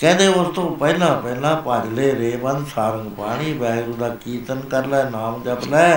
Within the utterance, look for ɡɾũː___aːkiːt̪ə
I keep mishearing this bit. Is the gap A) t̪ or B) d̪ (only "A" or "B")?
B